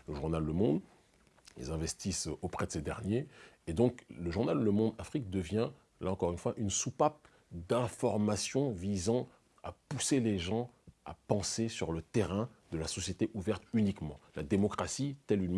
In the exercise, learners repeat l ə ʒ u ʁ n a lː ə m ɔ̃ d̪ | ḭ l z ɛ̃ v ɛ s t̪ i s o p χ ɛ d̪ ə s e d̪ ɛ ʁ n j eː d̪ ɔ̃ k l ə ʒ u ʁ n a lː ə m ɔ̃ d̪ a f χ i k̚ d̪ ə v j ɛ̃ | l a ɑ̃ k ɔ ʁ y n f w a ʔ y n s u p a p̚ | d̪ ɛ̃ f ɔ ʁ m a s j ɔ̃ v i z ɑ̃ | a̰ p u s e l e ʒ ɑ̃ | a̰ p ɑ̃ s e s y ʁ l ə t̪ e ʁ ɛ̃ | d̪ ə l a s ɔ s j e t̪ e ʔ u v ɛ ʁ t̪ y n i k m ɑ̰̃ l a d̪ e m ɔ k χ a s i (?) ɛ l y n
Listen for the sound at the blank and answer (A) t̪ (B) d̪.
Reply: A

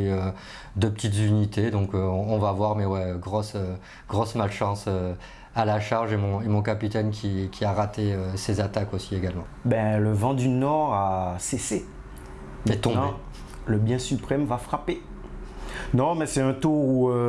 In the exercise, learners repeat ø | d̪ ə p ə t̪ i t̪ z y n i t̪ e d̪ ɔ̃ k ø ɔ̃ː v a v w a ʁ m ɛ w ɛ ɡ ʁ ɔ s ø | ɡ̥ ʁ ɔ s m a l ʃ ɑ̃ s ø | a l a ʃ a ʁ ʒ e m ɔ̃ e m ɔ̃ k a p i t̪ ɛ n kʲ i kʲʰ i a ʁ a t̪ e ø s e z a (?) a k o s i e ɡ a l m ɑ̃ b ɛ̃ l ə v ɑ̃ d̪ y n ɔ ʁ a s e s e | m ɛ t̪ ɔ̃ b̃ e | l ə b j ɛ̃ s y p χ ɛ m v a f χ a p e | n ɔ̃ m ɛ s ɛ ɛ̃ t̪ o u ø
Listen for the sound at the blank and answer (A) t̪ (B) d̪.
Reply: A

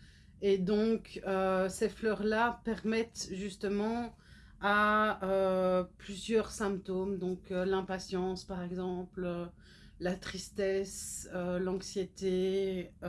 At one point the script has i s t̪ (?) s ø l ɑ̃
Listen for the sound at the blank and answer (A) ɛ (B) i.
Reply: A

